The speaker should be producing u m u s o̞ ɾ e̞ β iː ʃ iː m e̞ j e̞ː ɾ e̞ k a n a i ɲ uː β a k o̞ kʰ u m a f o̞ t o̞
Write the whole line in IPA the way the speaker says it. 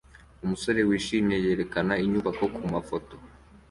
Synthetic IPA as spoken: u m u s o̞ ɾ e̞ w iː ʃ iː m e̞ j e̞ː ɾ e̞ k a n a i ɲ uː β a k o̞ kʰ u m a f o̞ t o̞